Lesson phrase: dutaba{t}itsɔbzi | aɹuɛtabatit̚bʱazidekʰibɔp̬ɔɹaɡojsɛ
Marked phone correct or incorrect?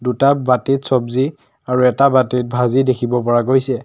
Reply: correct